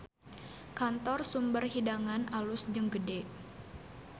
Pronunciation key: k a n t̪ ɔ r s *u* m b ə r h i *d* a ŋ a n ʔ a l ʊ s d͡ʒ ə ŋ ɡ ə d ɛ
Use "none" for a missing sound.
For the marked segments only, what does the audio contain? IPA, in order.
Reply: u, d

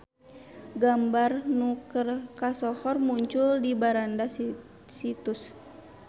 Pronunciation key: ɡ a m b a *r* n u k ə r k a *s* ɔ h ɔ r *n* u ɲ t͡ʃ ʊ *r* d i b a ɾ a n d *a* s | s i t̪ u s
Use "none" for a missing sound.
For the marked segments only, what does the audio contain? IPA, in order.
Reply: r, s, m, l, a

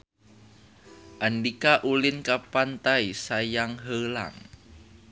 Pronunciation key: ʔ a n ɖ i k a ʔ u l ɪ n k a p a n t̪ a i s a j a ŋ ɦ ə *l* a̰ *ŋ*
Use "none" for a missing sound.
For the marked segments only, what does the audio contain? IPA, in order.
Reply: l, ŋ

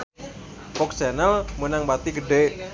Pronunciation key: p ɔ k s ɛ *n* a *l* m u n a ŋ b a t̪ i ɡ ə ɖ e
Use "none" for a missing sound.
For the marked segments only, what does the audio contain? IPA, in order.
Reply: n, l

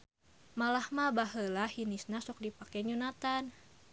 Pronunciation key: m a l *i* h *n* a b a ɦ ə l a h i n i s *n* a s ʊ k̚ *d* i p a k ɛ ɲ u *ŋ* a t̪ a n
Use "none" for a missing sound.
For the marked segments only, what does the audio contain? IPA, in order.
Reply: a, m, n, d, n

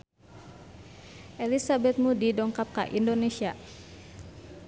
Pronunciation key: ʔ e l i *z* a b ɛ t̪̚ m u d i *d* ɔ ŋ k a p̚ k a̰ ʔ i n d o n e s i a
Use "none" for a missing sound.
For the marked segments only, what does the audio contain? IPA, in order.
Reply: s, d

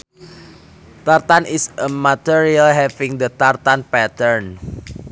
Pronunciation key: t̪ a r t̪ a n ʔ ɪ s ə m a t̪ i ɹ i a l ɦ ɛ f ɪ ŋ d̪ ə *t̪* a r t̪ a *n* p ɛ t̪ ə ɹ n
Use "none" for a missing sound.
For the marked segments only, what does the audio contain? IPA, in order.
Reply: t̪, n

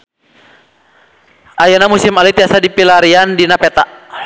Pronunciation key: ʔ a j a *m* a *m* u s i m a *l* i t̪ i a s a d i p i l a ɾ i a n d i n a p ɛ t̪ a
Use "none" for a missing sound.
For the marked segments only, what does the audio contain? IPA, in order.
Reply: n, m, l

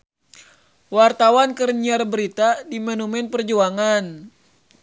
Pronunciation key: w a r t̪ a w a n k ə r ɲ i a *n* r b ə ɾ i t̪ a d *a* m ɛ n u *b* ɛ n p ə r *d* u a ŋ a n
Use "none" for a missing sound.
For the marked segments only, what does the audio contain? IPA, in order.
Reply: none, i, m, d͡ʒ

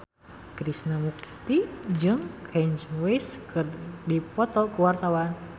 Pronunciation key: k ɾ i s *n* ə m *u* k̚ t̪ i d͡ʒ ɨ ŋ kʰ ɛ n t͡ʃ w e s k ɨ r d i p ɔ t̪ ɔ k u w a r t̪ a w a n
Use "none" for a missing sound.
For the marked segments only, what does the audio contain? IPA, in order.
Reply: n, u

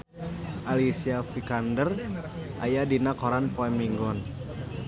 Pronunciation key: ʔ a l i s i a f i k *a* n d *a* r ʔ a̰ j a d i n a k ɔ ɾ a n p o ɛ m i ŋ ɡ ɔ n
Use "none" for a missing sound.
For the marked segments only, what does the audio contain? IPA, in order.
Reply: a, ə

